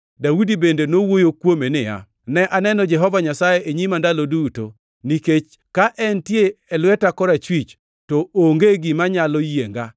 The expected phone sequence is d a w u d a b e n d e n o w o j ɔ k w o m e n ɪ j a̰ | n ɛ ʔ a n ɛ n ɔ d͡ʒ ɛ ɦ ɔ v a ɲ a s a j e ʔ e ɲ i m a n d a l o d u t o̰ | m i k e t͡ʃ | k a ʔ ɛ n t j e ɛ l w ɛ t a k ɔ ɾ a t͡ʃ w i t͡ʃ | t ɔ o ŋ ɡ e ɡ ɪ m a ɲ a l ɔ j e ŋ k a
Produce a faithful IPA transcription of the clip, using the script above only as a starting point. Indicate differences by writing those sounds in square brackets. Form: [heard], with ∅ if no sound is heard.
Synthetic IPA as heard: d a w u d [i] b e n d e n o w o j [o] k w o m e n ɪ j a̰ | n ɛ ʔ a n ɛ n ɔ d͡ʒ ɛ ɦ ɔ v a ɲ a s a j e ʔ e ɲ i m a n d a l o d u t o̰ | [n] i k e t͡ʃ | k a ʔ ɛ n t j e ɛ l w ɛ t a k ɔ ɾ a t͡ʃ w i t͡ʃ | t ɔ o ŋ ɡ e ɡ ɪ m a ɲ a l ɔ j e ŋ [ɡ] a